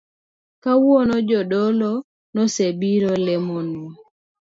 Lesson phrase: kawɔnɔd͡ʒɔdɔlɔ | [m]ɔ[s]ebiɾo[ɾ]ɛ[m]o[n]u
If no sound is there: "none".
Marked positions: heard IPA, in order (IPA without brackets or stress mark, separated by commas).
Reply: n, s, l, m, n